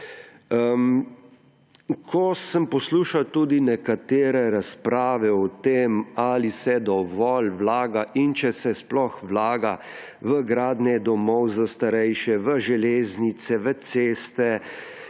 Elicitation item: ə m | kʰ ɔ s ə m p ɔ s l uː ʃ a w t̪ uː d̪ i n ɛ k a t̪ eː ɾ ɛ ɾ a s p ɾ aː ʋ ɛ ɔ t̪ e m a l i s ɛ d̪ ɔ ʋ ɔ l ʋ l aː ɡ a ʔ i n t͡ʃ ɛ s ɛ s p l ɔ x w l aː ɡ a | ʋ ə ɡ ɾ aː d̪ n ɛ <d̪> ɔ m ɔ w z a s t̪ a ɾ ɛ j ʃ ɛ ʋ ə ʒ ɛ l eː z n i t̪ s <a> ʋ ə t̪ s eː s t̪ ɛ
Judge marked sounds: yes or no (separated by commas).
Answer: yes, no